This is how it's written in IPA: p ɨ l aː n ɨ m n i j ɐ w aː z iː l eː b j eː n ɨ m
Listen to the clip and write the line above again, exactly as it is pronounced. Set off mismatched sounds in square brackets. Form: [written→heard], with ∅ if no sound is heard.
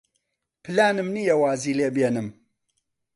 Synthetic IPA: p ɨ l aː n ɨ m n i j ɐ w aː z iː l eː b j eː n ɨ m